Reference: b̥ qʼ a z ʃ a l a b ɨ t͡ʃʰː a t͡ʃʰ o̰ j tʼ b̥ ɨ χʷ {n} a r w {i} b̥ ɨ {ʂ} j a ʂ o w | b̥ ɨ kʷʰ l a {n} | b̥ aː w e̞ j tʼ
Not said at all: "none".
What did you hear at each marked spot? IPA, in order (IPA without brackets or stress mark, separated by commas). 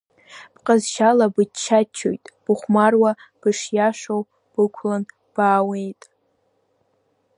m, a, ʂ, n